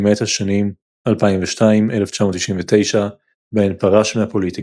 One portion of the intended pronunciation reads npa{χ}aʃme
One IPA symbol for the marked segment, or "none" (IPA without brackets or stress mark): ʁ